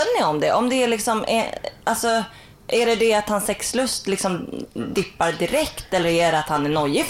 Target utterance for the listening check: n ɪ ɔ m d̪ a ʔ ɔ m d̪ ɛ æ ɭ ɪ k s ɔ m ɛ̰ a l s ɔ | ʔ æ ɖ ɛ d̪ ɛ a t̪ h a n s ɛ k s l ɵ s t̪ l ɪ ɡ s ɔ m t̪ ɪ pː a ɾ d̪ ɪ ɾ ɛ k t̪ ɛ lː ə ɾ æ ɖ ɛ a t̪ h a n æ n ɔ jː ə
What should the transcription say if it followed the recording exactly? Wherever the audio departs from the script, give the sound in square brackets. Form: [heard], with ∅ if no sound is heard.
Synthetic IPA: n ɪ ɔ m d̪ [ɛ] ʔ ɔ m d̪ ɛ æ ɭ ɪ k s ɔ m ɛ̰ a l s ɔ | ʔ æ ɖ ɛ d̪ ɛ a t̪ h a n s ɛ k s l ɵ s t̪ l ɪ [k] s ɔ m [d̪] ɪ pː a ɾ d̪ ɪ ɾ ɛ k t̪ ɛ lː ə ɾ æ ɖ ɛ a t̪ h a n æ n ɔ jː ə